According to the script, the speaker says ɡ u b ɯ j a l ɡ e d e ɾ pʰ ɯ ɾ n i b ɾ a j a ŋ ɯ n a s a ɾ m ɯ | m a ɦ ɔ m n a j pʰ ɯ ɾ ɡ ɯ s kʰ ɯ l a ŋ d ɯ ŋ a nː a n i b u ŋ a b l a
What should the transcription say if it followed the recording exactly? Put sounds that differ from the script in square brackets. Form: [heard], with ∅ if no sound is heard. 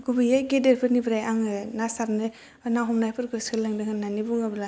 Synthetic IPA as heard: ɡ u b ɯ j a [∅] ɡ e d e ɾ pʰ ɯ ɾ n i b ɾ a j a ŋ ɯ n a s a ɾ [n] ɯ | [n] a ɦ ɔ m n a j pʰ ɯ ɾ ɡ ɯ s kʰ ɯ l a ŋ d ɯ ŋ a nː a n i b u ŋ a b l a